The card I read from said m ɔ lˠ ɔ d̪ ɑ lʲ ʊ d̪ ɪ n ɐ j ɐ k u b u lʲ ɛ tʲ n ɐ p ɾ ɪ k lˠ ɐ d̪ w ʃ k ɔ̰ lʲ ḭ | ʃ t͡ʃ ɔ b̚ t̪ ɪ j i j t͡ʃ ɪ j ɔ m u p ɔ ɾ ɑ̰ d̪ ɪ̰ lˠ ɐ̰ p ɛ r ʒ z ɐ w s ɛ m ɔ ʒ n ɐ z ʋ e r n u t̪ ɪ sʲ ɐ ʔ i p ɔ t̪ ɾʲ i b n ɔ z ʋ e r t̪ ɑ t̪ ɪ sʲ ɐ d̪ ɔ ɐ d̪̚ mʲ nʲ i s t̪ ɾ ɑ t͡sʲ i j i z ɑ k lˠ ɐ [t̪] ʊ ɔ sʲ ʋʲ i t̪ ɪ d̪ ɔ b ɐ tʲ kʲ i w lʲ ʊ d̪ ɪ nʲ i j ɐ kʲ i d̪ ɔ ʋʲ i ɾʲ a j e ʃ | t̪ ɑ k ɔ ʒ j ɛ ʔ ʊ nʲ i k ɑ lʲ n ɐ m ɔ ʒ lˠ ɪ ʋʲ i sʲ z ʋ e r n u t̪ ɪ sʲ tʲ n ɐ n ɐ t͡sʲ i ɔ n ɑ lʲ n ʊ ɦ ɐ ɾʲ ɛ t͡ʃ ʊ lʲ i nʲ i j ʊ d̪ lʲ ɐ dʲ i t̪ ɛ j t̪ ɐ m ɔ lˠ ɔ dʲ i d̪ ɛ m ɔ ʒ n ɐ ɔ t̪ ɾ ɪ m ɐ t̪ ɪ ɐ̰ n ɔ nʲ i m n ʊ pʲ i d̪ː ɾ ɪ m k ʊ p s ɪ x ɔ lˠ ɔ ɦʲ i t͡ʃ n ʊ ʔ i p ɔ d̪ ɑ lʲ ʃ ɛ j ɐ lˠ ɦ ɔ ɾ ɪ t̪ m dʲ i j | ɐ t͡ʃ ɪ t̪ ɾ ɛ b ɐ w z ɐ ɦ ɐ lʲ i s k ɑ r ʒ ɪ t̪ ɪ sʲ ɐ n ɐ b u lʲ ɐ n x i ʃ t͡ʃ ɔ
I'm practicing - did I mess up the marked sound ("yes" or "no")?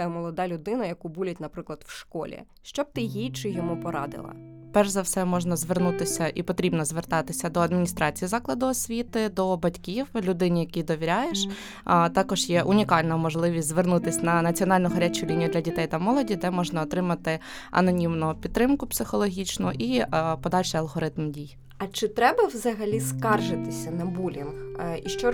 yes